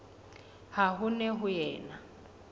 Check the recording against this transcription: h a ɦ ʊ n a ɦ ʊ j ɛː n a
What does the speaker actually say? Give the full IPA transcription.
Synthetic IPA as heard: h a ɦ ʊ n ɛ ɦ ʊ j ɛː n a

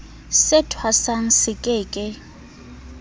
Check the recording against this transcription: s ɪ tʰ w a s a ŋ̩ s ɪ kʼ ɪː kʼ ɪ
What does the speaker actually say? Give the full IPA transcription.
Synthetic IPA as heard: s ɪ tʰ w a s a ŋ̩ s ɪ kʼ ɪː kʼ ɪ

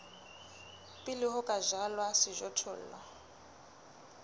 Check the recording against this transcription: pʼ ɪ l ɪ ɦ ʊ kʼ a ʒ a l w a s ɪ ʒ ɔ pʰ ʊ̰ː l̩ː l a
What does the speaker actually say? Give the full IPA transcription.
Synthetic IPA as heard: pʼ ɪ l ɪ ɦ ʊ kʼ a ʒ a l w a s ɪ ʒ ɔ tʰ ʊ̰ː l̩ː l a

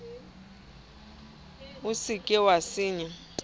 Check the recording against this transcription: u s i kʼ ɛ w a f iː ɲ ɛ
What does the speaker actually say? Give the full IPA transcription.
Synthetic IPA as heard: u s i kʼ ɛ w a s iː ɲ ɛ

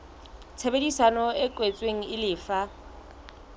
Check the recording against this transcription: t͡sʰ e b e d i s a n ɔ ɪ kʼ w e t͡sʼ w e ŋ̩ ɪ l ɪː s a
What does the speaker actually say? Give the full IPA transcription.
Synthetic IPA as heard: t͡sʰ e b e d i s a n ɔ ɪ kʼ w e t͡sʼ w e ŋ̩ ɪ l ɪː f a

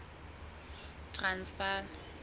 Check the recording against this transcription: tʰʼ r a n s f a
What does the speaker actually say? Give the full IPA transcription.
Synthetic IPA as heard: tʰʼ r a n s f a

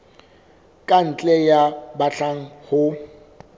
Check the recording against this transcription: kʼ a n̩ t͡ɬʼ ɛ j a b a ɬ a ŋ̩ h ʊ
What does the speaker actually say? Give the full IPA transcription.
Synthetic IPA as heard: kʼ a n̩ t͡ɬʼ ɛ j a b a ɬ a ŋ̩ h ʊ

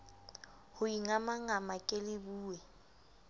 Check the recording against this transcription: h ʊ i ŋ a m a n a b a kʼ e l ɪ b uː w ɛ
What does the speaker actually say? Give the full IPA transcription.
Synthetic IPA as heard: h ʊ i ŋ a m a ŋ a m a kʼ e l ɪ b uː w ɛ

